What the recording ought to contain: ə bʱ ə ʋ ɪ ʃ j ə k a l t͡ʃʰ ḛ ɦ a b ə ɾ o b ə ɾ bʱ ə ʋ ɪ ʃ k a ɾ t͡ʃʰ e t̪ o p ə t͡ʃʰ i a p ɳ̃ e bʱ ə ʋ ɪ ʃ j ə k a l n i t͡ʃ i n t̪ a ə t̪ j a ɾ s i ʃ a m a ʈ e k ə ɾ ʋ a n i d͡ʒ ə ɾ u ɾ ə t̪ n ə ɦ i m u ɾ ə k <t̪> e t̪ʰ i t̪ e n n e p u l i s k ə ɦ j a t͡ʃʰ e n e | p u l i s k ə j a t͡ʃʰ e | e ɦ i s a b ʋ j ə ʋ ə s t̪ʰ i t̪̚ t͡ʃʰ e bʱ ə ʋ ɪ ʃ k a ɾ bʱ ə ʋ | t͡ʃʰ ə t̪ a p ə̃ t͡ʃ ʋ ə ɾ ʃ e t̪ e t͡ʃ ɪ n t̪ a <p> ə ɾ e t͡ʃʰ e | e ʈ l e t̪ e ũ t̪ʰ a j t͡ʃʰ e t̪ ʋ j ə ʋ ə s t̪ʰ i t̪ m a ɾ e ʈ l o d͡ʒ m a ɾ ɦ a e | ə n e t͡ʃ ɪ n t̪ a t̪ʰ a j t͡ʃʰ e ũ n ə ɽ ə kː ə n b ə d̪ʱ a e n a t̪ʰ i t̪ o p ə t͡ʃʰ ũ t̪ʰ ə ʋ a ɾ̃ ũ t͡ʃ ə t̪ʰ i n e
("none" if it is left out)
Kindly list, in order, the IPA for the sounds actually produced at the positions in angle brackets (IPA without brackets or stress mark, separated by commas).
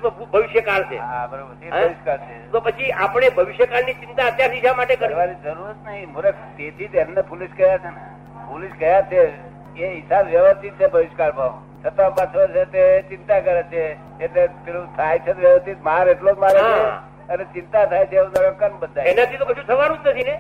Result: t̪, k